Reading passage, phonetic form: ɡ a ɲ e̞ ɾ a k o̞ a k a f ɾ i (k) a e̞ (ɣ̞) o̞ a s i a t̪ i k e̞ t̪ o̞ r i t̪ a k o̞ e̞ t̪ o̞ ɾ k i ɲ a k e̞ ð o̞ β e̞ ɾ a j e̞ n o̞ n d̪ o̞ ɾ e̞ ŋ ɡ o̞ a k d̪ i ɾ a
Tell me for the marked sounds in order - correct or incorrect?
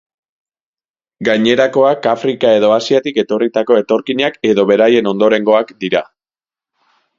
correct, incorrect

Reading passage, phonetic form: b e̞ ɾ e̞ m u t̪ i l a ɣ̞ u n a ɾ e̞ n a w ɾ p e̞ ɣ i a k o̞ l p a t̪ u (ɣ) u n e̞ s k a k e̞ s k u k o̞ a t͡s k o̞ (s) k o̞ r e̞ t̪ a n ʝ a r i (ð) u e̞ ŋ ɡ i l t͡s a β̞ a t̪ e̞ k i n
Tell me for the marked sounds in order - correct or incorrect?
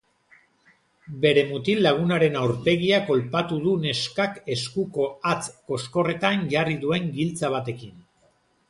incorrect, correct, correct

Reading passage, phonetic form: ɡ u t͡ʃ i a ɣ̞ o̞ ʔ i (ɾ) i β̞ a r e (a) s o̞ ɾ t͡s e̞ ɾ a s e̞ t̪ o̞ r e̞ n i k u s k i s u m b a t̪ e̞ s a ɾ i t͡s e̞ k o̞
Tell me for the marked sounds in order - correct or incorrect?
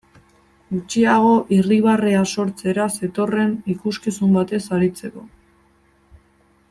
incorrect, correct

